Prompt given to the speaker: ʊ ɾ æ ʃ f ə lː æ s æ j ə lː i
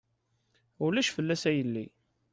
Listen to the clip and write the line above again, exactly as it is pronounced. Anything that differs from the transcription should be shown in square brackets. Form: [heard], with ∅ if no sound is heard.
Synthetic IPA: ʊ [l] æ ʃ f ə lː æ s æ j ə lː i